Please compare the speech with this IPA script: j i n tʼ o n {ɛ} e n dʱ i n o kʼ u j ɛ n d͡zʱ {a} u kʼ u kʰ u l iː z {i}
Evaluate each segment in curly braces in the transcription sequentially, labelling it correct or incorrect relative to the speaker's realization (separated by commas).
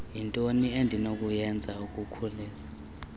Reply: incorrect, correct, incorrect